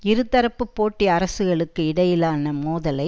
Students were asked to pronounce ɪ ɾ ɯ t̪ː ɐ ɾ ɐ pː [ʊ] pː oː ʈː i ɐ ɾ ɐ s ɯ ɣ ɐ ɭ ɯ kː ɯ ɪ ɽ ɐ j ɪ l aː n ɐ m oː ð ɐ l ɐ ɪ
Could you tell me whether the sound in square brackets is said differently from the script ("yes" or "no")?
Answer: yes